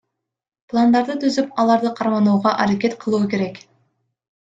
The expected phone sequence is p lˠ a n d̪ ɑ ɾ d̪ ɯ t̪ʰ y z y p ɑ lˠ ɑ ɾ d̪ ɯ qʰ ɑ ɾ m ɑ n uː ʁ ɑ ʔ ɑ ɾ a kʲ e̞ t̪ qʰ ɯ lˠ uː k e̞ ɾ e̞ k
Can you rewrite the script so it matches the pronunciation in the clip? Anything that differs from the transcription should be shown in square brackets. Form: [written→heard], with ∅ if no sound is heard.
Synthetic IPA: p lˠ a n d̪ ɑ ɾ d̪ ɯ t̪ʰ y z y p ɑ lˠ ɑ ɾ d̪ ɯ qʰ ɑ ɾ m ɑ n uː ʁ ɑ ʔ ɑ ɾ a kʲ e̞ t̪ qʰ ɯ lˠ uː k e̞ ɾ e̞ k